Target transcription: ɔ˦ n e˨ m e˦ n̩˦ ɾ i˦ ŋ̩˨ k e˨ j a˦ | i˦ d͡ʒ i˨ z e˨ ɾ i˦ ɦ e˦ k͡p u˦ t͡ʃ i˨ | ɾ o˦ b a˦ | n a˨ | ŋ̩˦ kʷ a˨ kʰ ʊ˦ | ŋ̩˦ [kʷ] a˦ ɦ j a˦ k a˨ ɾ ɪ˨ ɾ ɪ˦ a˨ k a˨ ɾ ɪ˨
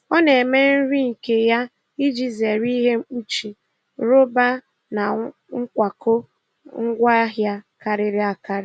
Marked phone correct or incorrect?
incorrect